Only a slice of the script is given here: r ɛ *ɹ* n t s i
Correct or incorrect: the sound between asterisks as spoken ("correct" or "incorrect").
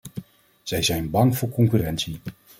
incorrect